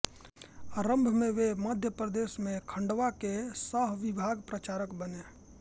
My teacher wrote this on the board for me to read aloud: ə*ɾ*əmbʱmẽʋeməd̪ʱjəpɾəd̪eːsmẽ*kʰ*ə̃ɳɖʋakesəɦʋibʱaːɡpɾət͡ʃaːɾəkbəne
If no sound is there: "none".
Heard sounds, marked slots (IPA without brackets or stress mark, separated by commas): ɾ, kʰ